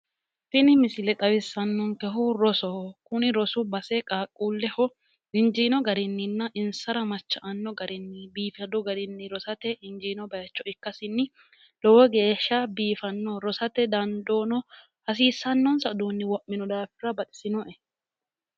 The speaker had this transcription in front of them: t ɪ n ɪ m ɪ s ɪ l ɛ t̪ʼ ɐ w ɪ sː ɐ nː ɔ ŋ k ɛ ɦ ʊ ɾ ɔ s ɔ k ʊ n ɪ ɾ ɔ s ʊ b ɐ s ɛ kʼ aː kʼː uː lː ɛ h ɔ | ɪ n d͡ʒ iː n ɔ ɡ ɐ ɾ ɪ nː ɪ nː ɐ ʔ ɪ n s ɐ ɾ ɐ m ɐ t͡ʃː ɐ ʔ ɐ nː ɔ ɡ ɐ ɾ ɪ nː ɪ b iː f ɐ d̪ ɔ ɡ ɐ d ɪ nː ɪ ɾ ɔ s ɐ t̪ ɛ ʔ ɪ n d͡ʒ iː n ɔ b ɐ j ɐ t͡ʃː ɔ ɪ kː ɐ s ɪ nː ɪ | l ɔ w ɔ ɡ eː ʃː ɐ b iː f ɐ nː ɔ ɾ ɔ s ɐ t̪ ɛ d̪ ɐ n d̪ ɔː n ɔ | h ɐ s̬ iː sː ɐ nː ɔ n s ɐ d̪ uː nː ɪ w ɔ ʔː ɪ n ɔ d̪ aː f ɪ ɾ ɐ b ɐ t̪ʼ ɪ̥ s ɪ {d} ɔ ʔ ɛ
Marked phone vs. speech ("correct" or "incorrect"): incorrect